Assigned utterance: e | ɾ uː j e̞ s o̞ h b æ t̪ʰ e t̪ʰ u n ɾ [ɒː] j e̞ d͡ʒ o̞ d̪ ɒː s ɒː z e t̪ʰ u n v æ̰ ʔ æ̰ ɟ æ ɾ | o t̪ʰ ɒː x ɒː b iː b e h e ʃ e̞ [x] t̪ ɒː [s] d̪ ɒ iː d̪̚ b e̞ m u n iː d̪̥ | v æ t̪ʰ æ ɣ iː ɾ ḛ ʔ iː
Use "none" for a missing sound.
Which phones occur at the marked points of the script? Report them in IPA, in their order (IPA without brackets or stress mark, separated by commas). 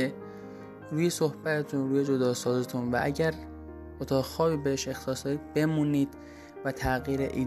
uː, x, s